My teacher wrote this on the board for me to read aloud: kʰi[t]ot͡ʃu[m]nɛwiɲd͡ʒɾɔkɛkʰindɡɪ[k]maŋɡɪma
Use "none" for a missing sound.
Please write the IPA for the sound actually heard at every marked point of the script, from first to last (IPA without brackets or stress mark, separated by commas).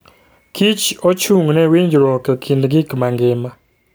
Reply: t͡ʃ, ŋ, k